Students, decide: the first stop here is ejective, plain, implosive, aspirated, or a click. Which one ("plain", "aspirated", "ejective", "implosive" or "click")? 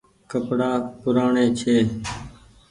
plain